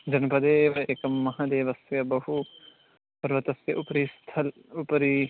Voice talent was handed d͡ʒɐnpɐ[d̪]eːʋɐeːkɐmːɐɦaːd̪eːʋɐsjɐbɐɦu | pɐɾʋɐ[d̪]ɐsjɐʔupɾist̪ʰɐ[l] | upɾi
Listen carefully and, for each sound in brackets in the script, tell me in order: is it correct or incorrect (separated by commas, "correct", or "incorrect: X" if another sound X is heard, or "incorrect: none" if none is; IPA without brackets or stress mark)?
correct, incorrect: t̪, correct